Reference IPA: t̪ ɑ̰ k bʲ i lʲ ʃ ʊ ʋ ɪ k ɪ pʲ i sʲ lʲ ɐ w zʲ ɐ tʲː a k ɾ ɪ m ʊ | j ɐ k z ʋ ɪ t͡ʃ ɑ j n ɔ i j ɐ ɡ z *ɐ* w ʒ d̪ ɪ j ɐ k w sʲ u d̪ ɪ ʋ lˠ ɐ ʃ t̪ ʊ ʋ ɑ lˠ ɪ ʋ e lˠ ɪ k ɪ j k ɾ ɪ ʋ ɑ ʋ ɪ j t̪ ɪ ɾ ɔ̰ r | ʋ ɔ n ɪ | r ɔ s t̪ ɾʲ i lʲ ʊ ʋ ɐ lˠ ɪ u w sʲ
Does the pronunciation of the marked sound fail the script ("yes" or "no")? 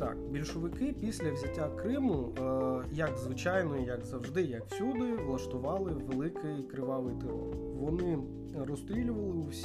no